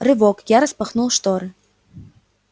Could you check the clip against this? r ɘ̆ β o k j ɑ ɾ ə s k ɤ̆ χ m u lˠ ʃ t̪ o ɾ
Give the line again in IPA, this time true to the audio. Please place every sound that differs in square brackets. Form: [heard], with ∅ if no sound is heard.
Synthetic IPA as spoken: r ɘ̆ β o k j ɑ ɾ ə s [p] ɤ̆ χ [n] u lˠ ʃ t̪ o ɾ